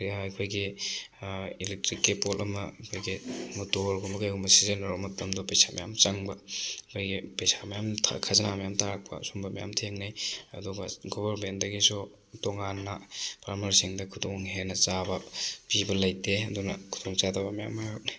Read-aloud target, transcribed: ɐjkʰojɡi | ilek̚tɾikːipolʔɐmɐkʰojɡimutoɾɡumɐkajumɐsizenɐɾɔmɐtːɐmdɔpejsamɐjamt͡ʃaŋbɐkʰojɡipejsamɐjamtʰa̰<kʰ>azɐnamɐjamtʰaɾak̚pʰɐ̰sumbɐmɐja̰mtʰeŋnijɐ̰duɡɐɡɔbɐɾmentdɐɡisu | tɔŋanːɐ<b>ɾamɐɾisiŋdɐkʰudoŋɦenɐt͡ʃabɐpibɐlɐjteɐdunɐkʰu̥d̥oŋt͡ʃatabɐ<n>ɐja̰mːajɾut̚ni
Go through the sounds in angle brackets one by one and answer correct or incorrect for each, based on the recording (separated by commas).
correct, incorrect, incorrect